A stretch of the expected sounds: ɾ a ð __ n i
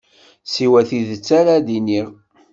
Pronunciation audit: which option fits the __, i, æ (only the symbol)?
i